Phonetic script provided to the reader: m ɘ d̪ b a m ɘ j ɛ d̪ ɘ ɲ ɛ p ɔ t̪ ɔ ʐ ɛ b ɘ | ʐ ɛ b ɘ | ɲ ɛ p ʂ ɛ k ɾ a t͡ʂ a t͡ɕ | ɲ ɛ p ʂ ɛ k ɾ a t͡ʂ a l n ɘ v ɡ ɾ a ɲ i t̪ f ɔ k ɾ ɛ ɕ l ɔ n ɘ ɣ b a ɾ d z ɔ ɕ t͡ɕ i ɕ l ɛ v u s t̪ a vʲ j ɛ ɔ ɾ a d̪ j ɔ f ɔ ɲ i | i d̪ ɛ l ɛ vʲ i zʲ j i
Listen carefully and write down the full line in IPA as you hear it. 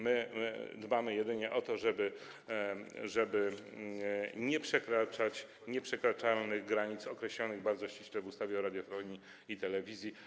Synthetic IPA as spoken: m ɘ d̪ b a m ɘ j ɛ d̪ ɘ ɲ ɛ ʔ ɔ t̪ ɔ ʐ ɛ b ɘ | ʐ ɛ b ɘ | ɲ ɛ p ʂ ɛ k ɾ a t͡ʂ a t͡ɕ | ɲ ɛ p ʂ ɛ k ɾ a t͡ʂ a l n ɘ ɣ ɡ ɾ a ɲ i t̪ s ɔ k ɾ ɛ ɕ l ɔ n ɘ ɣ b a ɾ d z ɔ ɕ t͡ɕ i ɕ l ɛ v u s t̪ a vʲ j ɛ ɔ ɾ a d̪ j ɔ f ɔ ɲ i | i t̪ ɛ l ɛ vʲ i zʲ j i

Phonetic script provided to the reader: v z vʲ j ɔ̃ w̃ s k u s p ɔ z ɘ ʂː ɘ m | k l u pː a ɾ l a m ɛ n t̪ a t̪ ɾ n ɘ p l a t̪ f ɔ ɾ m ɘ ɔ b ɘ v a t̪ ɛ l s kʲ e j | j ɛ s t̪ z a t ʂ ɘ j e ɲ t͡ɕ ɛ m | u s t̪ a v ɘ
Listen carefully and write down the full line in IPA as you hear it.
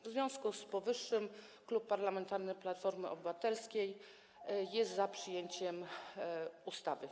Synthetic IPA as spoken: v z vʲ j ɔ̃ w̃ s k u s p ɔ v ɘ ʂː ɘ m | k l u pː a ɾ l a m ɛ n t̪ a ɾ n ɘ p l a t̪ f ɔ ɾ m ɘ ɔ b ɘ v a t̪ ɛ l s kʲ e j | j ɛ s t̪ z a p ʂ ɘ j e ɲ t͡ɕ ɛ m | u s t̪ a v ɘ

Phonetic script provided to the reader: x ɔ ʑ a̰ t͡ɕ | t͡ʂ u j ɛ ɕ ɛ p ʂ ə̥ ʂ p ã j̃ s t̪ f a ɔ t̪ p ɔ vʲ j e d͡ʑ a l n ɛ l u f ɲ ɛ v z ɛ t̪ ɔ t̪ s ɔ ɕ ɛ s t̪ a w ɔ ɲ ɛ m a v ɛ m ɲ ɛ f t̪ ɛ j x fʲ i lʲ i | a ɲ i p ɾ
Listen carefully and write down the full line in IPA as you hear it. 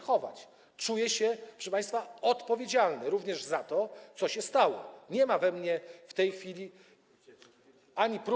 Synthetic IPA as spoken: x ɔ v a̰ t͡ɕ | t͡ʂ u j ɛ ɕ ɛ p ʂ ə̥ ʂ p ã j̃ s t̪ f a ɔ t̪ p ɔ vʲ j e d͡ʑ a l n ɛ ɾ u v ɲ ɛ ʐ z a t̪ ɔ t̪ s ɔ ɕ ɛ s t̪ a w ɔ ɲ ɛ m a v ɛ m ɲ ɛ f t̪ ɛ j x fʲ i lʲ i | a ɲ i p ɾ

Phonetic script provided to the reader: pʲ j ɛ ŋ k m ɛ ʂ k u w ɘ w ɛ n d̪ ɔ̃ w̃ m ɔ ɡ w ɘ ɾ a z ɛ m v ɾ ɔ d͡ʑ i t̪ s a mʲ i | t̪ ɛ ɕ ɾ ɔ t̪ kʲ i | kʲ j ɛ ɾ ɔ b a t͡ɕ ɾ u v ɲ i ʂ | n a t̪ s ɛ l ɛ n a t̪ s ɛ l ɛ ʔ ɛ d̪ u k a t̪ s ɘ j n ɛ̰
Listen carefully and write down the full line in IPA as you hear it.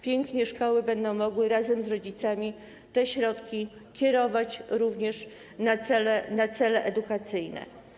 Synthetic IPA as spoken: pʲ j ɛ ŋ k ɲ ɛ ʂ k ɔ w ɘ b ɛ n d̪ ɔ̃ w̃ m ɔ ɡ w ɘ ɾ a z ɛ m z ɾ ɔ d͡ʑ i t̪ s a mʲ i | t̪ ɛ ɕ ɾ ɔ t̪ kʲ i | kʲ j ɛ ɾ ɔ v a t͡ɕ ɾ u v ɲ ɛ ʂ | n a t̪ s ɛ l ɛ n a t̪ s ɛ l ɛ ʔ ɛ d̪ u k a t̪ s ɘ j n ɛ̰

